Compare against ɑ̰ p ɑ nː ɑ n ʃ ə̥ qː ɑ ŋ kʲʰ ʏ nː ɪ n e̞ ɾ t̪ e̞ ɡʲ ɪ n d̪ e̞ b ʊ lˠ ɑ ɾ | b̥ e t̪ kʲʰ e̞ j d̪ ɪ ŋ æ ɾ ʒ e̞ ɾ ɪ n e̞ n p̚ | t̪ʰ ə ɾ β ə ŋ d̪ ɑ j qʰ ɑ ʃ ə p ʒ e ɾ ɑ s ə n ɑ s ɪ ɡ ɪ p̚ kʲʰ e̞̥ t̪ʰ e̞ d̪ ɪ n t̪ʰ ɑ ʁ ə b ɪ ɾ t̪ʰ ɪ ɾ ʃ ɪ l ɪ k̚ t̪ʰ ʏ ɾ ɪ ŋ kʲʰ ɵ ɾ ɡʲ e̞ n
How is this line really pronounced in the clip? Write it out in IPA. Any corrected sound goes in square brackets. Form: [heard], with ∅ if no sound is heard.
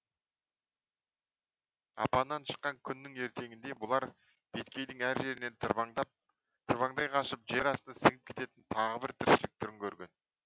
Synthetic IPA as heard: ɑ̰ p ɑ nː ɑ n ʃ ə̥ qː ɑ ŋ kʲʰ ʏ nː ɪ [ŋ] e̞ ɾ t̪ e̞ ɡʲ ɪ n d̪ e̞ b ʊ lˠ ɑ ɾ | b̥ e t̪ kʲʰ e̞ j d̪ ɪ ŋ æ ɾ ʒ e̞ ɾ ɪ n e̞ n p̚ | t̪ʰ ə ɾ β [ɑ] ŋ d̪ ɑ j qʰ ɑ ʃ ə p ʒ e ɾ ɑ s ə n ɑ s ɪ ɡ ɪ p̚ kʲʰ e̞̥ [t̪] e̞ [t̪] ɪ n t̪ʰ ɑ ʁ ə b ɪ ɾ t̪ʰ ɪ ɾ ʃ ɪ l ɪ k̚ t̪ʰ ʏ ɾ ɪ ŋ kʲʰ ɵ ɾ ɡʲ e̞ n

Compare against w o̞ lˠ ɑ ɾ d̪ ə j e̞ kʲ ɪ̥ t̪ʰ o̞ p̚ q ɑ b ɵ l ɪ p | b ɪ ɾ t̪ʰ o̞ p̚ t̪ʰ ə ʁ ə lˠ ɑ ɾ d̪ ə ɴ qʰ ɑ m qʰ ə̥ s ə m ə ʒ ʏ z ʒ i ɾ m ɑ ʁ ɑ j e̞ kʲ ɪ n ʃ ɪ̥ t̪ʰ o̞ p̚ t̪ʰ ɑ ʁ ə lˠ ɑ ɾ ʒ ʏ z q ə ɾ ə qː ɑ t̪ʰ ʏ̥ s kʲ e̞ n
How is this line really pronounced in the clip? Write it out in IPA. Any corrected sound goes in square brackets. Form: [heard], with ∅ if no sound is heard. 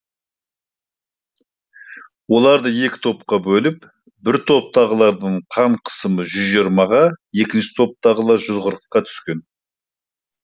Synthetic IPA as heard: w o̞ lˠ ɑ ɾ d̪ ə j e̞ kʲ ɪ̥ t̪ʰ o̞ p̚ q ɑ b ɵ l ɪ p | b ɪ ɾ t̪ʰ o̞ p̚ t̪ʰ [ɑ] ʁ ə lˠ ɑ ɾ d̪ ə ɴ qʰ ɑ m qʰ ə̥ s ə m ə ʒ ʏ z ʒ i ɾ m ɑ ʁ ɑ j e̞ kʲ ɪ n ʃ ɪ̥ t̪ʰ o̞ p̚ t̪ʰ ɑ ʁ ə lˠ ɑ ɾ ʒ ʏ z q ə ɾ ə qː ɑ t̪ʰ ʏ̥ s kʲ e̞ n

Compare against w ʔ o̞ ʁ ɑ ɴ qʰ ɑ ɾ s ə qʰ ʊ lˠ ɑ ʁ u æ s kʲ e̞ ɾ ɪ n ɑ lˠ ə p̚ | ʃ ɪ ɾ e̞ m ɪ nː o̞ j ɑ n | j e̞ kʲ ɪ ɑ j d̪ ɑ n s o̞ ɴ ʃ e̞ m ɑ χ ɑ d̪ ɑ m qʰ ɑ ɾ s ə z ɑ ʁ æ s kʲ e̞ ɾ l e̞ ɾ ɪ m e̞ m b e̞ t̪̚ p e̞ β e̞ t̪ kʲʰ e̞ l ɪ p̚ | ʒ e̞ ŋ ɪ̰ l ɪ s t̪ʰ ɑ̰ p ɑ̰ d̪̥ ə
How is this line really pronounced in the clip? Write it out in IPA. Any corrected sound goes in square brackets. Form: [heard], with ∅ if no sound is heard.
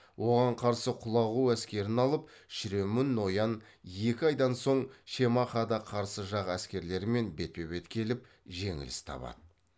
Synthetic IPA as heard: w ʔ o̞ ʁ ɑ ɴ qʰ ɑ ɾ s ə qʰ ʊ lˠ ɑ ʁ u æ s kʲ e̞ ɾ ɪ n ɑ lˠ ə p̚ | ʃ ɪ ɾ e̞ m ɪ nː o̞ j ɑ n | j e̞ kʲ ɪ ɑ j d̪ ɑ n s o̞ ɴ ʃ e̞ m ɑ χ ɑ d̪ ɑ [∅] qʰ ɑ ɾ s ə [ʒ] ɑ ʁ æ s kʲ e̞ ɾ l e̞ ɾ ɪ m e̞ [n] b e̞ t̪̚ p e̞ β e̞ t̪ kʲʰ e̞ l ɪ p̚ | ʒ e̞ ŋ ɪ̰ l ɪ s t̪ʰ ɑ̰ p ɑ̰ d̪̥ ə

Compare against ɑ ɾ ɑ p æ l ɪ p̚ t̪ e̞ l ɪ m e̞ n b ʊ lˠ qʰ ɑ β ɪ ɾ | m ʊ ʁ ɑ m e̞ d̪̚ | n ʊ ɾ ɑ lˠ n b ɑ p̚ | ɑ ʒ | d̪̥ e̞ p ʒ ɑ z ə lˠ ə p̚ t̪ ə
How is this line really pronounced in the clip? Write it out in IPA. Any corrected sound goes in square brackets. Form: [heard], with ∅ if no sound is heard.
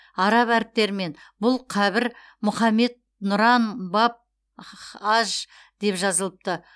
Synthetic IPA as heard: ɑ ɾ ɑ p æ [ɾ] ɪ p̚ t̪ e̞ [ɾ] ɪ m e̞ n b ʊ lˠ qʰ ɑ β ɪ ɾ | m ʊ [χ] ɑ m e̞ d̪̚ | n ʊ ɾ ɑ [∅] n b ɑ p̚ | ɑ ʒ | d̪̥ e̞ p ʒ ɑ z ə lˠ ə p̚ t̪ ə

